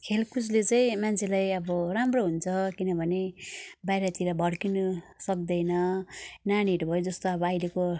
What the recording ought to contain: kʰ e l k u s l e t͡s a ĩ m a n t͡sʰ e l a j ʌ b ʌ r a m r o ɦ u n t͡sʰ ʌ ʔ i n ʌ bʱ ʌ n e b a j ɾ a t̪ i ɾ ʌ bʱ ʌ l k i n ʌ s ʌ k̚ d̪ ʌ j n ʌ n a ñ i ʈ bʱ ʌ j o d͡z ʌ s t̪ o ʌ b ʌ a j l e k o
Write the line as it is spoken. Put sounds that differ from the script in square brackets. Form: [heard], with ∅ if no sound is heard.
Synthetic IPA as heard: kʰ e l k u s l e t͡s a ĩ m a n t͡sʰ e l a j ʌ b ʌ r a m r o ɦ u n t͡sʰ ʌ [k] i n ʌ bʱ ʌ n e b a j ɾ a t̪ i ɾ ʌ bʱ ʌ [ɽ] k i n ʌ s ʌ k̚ d̪ ʌ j n ʌ n a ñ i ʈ bʱ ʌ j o d͡z ʌ s t̪ o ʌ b ʌ a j l e k o

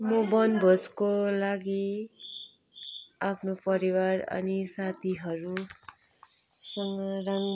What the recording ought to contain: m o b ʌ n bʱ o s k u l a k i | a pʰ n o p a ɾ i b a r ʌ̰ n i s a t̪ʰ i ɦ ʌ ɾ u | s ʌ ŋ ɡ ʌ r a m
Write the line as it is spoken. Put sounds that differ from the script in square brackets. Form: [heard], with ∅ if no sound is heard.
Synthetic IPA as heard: m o b ʌ n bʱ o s k [o] l a [ɡ] i | a pʰ n o p [ʌ] ɾ i [w] a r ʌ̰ n i s a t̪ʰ i ɦ ʌ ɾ u | s ʌ ŋ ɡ ʌ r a [ŋ]

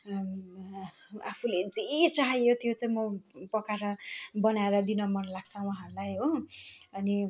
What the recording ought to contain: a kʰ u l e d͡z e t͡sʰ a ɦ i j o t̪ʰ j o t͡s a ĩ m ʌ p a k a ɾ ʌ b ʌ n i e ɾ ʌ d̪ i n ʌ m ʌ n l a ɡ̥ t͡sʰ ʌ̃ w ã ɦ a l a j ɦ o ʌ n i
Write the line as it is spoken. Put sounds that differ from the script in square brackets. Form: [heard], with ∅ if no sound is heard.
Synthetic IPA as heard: a [pʰ] u l e d͡z e [t͡s] a ɦ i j o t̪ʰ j o t͡s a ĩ m ʌ p [ʌ] k a ɾ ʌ b ʌ n [a] e ɾ ʌ d̪ i n ʌ m ʌ n l a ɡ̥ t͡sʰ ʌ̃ w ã ɦ a l a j ɦ o ʌ n i

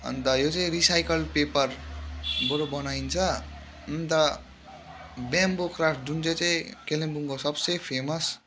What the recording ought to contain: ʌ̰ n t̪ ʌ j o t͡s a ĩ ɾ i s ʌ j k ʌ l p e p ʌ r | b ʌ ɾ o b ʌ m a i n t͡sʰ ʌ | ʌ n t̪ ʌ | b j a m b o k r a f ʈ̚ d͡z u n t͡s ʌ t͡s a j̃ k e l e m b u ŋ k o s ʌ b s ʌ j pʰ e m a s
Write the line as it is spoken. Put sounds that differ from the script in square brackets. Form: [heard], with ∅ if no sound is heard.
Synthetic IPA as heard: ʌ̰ n t̪ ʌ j o t͡s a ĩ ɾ i s [a] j k ʌ l p e p ʌ r | b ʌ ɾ o b ʌ [n] a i n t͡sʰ ʌ | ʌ n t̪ ʌ | b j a m b o k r a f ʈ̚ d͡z u n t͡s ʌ t͡s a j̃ k e l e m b u ŋ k o s ʌ b s ʌ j pʰ e m [ʌ] s

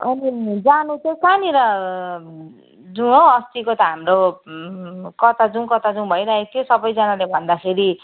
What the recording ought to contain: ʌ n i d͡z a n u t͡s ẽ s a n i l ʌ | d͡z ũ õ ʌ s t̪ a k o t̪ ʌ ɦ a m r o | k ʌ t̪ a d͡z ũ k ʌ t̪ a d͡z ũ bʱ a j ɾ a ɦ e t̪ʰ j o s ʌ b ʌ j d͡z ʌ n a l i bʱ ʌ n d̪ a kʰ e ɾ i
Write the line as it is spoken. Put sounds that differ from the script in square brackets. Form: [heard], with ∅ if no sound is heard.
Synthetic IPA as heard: ʌ n i d͡z a n u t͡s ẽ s a n i [ɾ] ʌ | d͡z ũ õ ʌ s t̪ [i] k o t̪ ʌ ɦ a m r o | k ʌ t̪ a d͡z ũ k ʌ t̪ a d͡z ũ bʱ [ʌ] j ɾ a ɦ e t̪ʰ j o s ʌ b ʌ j d͡z ʌ n a l [e] bʱ ʌ n d̪ a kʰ e ɾ i

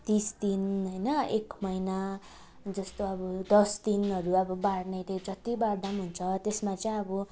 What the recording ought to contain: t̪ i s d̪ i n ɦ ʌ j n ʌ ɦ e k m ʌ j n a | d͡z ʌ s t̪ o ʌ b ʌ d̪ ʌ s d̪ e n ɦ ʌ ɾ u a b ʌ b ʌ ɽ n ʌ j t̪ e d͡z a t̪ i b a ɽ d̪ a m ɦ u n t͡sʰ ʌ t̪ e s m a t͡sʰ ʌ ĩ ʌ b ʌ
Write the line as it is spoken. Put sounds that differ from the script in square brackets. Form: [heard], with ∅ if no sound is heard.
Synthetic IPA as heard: t̪ i s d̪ i n ɦ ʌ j n ʌ [∅] e k m ʌ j n a | d͡z ʌ s t̪ o ʌ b ʌ d̪ ʌ s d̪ [i] n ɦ ʌ ɾ u [ʌ] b ʌ b [a] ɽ n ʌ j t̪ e d͡z [ʌ] t̪ i b a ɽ d̪ a m ɦ u n t͡sʰ ʌ t̪ e s m a [t͡s] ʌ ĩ ʌ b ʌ

